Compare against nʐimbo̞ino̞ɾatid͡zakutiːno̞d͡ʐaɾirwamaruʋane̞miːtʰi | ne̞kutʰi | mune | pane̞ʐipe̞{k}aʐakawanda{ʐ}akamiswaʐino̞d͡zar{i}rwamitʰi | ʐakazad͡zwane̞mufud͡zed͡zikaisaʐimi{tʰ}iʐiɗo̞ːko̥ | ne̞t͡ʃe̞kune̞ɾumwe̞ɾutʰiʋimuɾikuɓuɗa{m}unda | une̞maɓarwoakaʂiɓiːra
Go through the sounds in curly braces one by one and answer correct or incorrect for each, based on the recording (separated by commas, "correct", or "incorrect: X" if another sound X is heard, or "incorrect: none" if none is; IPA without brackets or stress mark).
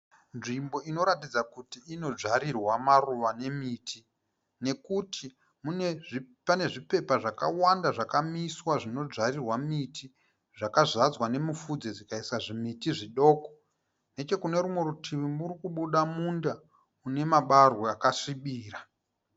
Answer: incorrect: p, correct, correct, incorrect: t, correct